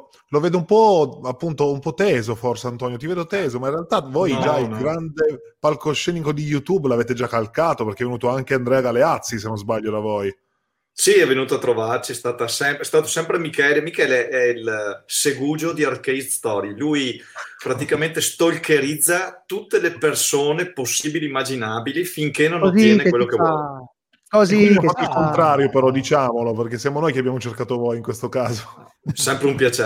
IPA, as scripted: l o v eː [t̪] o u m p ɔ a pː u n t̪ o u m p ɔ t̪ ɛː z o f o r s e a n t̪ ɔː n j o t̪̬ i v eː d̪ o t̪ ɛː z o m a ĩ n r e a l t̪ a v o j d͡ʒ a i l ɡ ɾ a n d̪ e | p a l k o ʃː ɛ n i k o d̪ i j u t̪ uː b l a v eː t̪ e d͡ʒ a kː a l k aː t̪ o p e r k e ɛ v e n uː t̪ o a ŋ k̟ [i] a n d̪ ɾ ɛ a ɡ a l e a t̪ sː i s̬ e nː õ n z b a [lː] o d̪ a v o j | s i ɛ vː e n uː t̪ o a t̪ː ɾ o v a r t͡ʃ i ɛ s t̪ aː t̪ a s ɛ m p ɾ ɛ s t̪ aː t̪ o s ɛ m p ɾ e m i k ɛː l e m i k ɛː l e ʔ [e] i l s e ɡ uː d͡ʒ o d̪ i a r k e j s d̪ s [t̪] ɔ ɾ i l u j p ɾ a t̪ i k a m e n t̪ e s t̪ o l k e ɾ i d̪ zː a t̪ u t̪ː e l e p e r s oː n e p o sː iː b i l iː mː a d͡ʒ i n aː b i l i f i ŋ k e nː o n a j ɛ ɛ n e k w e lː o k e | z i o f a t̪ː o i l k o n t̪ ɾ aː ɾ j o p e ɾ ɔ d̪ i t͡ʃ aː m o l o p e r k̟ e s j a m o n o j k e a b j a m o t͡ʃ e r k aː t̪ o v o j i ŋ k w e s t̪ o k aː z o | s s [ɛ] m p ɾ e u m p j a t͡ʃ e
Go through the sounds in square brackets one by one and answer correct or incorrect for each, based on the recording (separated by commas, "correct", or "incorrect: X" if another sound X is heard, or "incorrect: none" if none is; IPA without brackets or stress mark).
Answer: incorrect: d̪, incorrect: e, incorrect: ʎː, incorrect: ɛ, correct, correct